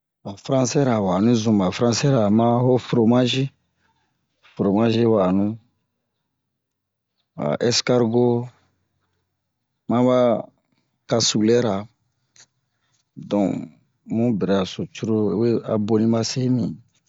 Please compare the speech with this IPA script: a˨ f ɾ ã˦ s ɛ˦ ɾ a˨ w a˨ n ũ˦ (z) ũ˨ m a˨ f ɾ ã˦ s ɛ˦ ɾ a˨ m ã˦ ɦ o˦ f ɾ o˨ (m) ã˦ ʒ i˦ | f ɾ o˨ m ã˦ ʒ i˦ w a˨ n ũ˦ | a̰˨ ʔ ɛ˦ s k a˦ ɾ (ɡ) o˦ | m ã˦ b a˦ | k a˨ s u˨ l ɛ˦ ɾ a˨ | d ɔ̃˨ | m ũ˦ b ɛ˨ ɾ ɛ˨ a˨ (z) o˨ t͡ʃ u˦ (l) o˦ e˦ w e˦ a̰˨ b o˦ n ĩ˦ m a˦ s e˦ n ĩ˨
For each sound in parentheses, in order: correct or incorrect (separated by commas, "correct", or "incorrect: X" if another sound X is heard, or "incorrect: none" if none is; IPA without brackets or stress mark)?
correct, correct, correct, incorrect: s, incorrect: ɾ